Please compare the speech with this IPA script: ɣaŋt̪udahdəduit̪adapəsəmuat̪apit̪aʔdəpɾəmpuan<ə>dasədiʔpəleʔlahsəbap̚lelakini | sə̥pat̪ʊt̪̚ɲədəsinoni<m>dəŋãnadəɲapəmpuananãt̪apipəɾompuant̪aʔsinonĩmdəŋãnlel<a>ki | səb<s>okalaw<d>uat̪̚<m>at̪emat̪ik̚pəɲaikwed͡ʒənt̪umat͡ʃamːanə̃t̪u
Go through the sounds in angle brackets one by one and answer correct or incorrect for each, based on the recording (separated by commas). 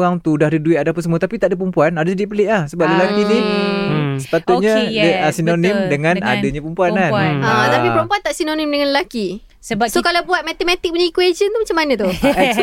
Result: incorrect, correct, correct, correct, incorrect, correct